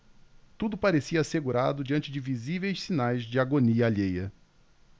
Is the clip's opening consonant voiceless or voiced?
voiceless